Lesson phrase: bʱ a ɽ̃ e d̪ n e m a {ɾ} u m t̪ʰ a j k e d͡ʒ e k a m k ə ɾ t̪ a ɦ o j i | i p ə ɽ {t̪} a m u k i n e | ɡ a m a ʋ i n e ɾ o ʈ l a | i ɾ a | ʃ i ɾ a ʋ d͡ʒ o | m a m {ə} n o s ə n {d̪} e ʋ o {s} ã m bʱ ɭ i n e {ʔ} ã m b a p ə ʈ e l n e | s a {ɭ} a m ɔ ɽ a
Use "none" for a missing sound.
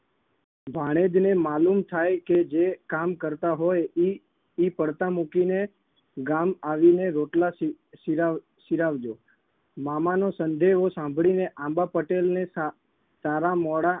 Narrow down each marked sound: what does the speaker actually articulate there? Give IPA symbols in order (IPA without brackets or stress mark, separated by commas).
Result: l, t̪, a, d̪, s, ʔ, ɾ